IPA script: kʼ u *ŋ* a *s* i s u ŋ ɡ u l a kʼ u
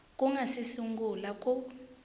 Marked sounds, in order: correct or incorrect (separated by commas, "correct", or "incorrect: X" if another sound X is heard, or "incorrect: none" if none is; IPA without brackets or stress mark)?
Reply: correct, correct